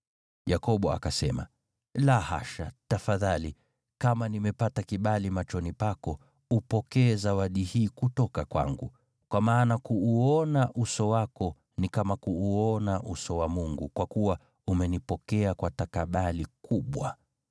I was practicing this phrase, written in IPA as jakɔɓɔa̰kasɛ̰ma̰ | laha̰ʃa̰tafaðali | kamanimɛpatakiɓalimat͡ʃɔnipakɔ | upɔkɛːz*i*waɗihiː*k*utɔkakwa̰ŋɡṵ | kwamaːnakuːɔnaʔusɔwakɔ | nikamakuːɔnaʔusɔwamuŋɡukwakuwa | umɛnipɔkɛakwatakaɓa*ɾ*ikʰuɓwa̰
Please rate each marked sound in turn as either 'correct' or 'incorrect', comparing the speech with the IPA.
incorrect, correct, incorrect

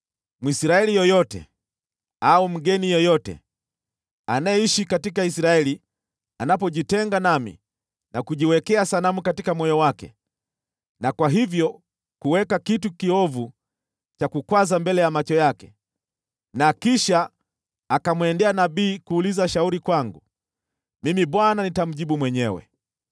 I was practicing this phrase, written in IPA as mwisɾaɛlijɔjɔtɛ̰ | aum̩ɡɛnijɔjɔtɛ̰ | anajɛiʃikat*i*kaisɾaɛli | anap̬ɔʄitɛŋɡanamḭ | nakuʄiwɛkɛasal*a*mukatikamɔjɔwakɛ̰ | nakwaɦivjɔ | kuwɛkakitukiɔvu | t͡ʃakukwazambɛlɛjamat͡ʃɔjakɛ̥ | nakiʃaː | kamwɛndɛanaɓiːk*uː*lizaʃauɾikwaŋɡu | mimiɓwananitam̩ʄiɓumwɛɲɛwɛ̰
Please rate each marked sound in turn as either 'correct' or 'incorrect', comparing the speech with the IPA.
correct, correct, correct

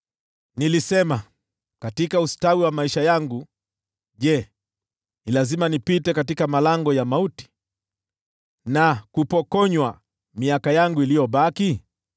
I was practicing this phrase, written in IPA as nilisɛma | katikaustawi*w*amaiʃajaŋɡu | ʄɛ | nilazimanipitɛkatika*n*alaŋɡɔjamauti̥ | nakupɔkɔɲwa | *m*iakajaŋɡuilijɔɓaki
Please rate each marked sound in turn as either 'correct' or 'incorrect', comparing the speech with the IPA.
correct, incorrect, correct

